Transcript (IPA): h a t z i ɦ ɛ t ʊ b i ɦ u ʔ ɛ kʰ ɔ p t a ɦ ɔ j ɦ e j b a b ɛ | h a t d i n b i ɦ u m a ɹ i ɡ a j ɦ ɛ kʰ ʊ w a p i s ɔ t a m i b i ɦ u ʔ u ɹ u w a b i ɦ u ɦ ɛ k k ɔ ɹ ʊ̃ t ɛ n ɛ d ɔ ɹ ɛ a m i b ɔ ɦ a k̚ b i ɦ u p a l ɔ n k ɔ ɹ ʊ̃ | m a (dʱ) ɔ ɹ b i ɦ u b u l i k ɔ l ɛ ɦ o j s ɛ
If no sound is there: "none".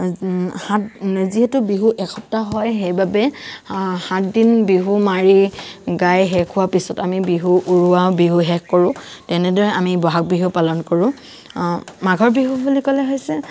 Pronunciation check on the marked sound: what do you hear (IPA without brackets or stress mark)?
ɡʱ